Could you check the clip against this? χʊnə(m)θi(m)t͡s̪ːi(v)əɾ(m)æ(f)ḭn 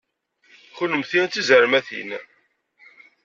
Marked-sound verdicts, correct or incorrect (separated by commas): correct, incorrect, incorrect, correct, incorrect